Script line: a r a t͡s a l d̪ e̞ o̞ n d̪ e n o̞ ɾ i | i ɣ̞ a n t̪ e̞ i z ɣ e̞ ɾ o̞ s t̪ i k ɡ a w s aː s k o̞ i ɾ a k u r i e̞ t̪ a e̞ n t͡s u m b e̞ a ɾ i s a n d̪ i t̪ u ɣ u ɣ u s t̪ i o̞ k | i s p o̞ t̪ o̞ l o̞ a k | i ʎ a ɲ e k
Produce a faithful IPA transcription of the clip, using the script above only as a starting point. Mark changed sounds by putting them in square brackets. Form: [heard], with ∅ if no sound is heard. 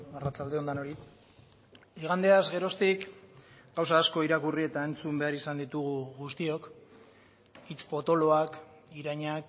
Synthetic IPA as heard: a r a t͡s a l d̪ e̞ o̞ n d̪ [a] n o̞ ɾ i | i ɣ̞ a n [d̪] e̞ [a] z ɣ e̞ ɾ o̞ s t̪ i k ɡ a w s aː s k o̞ i ɾ a k u r i e̞ t̪ a e̞ n t͡s u m b e̞ a ɾ i s a n d̪ i t̪ u ɣ u ɣ u s t̪ i o̞ k | i [t͡s] p o̞ t̪ o̞ l o̞ a k | i [ɾ] a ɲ [a] k

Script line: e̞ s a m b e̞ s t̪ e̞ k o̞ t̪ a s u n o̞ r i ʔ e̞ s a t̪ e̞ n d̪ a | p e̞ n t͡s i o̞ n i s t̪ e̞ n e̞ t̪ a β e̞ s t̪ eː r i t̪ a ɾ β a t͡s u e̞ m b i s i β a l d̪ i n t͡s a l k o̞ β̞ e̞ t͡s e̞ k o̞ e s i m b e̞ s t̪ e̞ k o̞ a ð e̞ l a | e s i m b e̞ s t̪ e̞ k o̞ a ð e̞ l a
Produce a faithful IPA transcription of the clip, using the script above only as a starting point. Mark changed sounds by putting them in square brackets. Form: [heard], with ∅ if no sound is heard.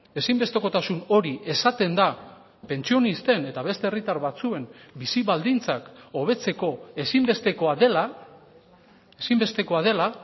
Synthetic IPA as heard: e̞ s [i] m b e̞ s t̪ e̞ k o̞ t̪ a s u n o̞ [ɾ] i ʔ e̞ s a t̪ e̞ n d̪ a | p e̞ n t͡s i o̞ n i s t̪ e̞ n e̞ t̪ a β e̞ s t̪ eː r i t̪ a ɾ β a t͡s u e̞ m b i s i β a l d̪ i n t͡s a [∅] k o̞ β̞ e̞ t͡s e̞ k o̞ e s i m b e̞ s t̪ e̞ k o̞ a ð e̞ l a | e s i m b e̞ s t̪ e̞ k o̞ a ð e̞ l a

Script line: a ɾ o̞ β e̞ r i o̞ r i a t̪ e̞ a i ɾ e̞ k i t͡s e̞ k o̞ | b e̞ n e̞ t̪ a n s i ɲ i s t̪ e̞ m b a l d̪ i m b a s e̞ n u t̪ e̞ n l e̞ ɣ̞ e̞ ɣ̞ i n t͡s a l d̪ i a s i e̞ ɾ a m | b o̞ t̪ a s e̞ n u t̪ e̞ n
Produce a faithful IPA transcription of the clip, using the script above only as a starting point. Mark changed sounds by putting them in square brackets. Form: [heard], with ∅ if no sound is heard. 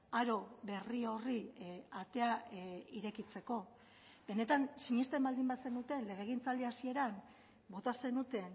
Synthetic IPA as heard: a ɾ o̞ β e̞ r i o̞ r i a t̪ e̞ a i ɾ e̞ k i t͡s e̞ k o̞ | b e̞ n e̞ t̪ a n s i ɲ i s t̪ e̞ m b a l d̪ i m b a s e̞ n u t̪ e̞ n l e̞ ɣ̞ e̞ ɣ̞ i n t͡s a l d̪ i a s i e̞ ɾ a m | b o̞ t̪ a s e̞ n u t̪ e̞ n

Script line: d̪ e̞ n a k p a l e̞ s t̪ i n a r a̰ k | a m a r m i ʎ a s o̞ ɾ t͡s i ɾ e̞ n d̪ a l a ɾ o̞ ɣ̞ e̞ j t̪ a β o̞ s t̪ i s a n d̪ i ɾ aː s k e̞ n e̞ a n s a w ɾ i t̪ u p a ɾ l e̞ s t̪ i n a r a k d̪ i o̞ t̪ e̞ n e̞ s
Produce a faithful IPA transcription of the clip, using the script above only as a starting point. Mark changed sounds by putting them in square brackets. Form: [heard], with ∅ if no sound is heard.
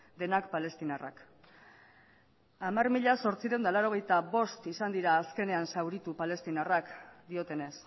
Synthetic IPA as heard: d̪ e̞ n a k p a l e̞ s t̪ i n a r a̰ k | a m a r m i ʎ a s o̞ ɾ t͡s i ɾ e̞ n d̪ a l a ɾ o̞ ɣ̞ e̞ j t̪ a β o̞ s t̪ i s a n d̪ i ɾ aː s k e̞ n e̞ a n s a w ɾ i t̪ u p a [∅] l e̞ s t̪ i n a r a k d̪ i o̞ t̪ e̞ n e̞ s

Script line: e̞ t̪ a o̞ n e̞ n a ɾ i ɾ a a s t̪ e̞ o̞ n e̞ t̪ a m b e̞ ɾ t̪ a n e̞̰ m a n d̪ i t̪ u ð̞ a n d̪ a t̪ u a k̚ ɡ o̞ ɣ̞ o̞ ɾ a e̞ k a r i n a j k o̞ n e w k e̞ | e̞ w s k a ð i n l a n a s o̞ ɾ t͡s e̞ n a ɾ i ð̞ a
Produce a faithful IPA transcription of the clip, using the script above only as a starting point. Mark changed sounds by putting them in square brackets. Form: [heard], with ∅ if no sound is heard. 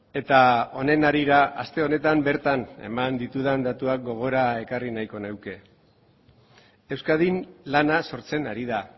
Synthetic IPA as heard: e̞ t̪ a o̞ n e̞ n a ɾ i ɾ a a s t̪ e̞ o̞ n e̞ t̪ a m b e̞ ɾ t̪ a n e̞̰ m a n d̪ i t̪ u ð̞ a n d̪ a t̪ u a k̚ ɡ o̞ ɣ̞ o̞ ɾ a e̞ k a r i n a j k o̞ n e w k e̞ | e̞ w s k a ð i n l a n a s o̞ ɾ t͡s e̞ n a ɾ i ð̞ a

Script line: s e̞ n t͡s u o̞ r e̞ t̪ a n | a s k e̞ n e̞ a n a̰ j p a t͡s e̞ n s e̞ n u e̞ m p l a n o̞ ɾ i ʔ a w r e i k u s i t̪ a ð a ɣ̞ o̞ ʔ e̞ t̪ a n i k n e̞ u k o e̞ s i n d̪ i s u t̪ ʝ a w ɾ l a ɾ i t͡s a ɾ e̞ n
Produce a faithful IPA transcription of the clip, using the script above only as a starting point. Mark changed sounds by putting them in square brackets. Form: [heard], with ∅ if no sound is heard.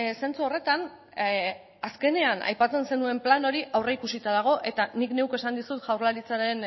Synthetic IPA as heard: s e̞ n t͡s u o̞ r e̞ t̪ a n | a s k e̞ n e̞ a n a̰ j p a t͡s e̞ n s e̞ n u e̞ m p l a n o̞ ɾ i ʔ a w r e i k u s i t̪ a ð a ɣ̞ o̞ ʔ e̞ t̪ a n i k n e̞ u k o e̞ s [a] n d̪ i s u t̪ ʝ a w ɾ l a ɾ i t͡s a ɾ e̞ n

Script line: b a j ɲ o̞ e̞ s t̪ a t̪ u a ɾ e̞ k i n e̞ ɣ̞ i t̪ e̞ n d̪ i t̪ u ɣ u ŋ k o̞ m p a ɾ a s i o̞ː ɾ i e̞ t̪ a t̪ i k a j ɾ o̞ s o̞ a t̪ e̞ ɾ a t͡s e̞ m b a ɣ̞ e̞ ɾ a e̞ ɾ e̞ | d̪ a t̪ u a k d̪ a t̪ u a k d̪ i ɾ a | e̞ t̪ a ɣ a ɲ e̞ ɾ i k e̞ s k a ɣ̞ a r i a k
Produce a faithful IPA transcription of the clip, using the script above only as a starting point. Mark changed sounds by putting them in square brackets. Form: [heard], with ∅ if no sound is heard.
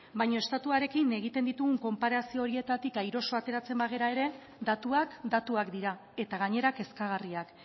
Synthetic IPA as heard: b a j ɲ o̞ e̞ s t̪ a t̪ u a ɾ e̞ k i n e̞ ɣ̞ i t̪ e̞ n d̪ i t̪ u ɣ u ŋ k o̞ m p a ɾ a s i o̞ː ɾ i e̞ t̪ a t̪ i k a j ɾ o̞ s o̞ a t̪ e̞ ɾ a t͡s e̞ m b a ɣ̞ e̞ ɾ a e̞ ɾ e̞ | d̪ a t̪ u a k d̪ a t̪ u a k d̪ i ɾ a | e̞ t̪ a ɣ a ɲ e̞ ɾ [a] k e̞ s k a ɣ̞ a r i a k

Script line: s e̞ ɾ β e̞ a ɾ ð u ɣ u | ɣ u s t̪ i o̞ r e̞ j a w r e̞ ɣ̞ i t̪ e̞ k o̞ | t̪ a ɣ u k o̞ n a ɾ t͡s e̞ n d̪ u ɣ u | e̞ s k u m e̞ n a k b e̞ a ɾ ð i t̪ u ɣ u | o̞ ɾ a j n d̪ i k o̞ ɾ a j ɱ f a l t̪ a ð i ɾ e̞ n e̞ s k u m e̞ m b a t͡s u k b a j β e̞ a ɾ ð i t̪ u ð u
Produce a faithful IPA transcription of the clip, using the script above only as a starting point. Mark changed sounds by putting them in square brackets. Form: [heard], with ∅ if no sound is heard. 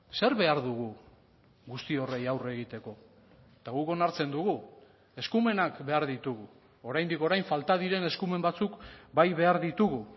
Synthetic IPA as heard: s e̞ ɾ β e̞ a ɾ ð u ɣ u | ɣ u s t̪ i o̞ r e̞ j a w r e̞ ɣ̞ i t̪ e̞ k o̞ | t̪ a ɣ u k o̞ n a ɾ t͡s e̞ n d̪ u ɣ u | e̞ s k u m e̞ n a k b e̞ a ɾ ð i t̪ u ɣ u | o̞ ɾ a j n d̪ i k o̞ ɾ a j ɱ f a l t̪ a ð i ɾ e̞ n e̞ s k u m e̞ m b a t͡s u k b a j β e̞ a ɾ ð i t̪ u [ɣ] u

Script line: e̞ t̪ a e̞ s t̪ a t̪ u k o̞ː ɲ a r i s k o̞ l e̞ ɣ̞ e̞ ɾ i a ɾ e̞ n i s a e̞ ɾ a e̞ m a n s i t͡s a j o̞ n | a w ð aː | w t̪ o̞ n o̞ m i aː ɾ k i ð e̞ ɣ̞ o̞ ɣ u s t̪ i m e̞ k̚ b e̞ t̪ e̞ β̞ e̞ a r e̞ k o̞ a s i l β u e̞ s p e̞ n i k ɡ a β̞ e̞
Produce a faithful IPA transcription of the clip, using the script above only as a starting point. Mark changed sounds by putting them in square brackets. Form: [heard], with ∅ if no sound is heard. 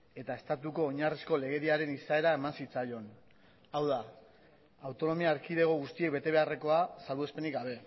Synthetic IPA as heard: e̞ t̪ a e̞ s t̪ a t̪ u k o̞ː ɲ a r i s k o̞ l e̞ ɣ̞ e̞ ɾ i a ɾ e̞ n i s a e̞ ɾ a e̞ m a n s i t͡s a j o̞ n | a w ð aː | w t̪ o̞ n o̞ m i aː ɾ k i ð e̞ ɣ̞ o̞ ɣ u s t̪ i [∅] e̞ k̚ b e̞ t̪ e̞ β̞ e̞ a r e̞ k o̞ a s [a] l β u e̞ s p e̞ n i k ɡ a β̞ e̞

